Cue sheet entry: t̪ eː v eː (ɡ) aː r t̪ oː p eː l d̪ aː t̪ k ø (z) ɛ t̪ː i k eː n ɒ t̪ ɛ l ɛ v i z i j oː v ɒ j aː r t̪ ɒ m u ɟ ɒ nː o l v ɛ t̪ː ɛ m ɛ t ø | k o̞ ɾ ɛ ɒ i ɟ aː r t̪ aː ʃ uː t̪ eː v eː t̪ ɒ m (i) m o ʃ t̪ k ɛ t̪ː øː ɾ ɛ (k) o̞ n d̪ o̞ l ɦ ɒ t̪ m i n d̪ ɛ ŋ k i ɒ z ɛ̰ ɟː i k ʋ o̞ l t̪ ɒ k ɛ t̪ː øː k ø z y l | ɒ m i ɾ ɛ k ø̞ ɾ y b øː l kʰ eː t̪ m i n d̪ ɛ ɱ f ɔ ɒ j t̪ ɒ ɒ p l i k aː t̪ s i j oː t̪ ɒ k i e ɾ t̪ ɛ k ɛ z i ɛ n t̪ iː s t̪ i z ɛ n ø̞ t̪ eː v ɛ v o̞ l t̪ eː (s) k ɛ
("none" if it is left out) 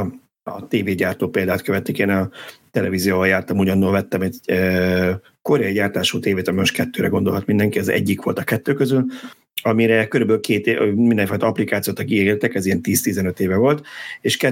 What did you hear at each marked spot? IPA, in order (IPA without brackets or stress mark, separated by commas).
ɟ, v, i, ɡ, ʃ